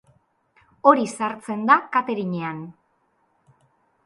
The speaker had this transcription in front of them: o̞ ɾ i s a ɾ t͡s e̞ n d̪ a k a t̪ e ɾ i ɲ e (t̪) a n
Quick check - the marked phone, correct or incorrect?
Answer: incorrect